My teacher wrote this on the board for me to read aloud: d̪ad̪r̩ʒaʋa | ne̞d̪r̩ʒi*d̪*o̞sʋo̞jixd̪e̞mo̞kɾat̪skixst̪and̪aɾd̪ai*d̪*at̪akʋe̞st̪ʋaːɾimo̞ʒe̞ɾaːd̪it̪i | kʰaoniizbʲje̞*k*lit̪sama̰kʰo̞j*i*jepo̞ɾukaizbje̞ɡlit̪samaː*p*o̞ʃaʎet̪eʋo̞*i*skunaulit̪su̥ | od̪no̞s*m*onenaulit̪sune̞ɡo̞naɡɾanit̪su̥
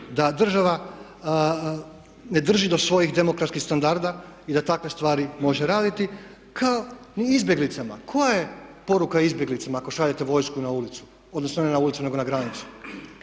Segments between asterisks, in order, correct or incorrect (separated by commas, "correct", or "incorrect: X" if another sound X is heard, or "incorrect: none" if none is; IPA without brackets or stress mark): correct, correct, incorrect: ɡ, incorrect: a, incorrect: k, incorrect: j, incorrect: n